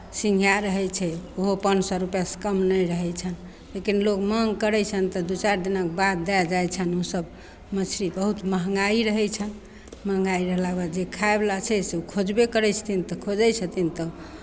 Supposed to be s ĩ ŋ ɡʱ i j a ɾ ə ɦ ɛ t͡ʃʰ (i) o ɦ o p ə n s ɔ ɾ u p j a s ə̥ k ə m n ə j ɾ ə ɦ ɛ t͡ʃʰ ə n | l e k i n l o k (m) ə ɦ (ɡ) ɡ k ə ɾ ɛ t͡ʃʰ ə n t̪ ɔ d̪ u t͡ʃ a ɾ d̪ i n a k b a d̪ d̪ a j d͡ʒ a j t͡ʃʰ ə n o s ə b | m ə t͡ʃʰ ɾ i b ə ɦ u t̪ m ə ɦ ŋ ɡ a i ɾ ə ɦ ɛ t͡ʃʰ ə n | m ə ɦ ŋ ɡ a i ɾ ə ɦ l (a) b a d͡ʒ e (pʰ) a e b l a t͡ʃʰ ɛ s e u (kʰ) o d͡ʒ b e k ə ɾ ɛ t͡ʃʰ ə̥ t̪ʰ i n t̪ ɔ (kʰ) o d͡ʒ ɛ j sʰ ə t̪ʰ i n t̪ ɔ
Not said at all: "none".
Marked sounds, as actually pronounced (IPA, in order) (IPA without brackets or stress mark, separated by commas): ɛ, m, ŋ, a, kʰ, kʰ, kʰ